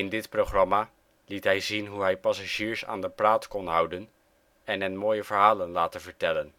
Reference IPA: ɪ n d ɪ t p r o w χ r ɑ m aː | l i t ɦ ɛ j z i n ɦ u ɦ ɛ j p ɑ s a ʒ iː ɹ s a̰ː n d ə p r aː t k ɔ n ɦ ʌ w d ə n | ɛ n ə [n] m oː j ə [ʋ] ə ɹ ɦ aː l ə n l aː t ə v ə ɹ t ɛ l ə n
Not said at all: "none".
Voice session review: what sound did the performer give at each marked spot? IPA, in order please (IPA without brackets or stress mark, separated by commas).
n, v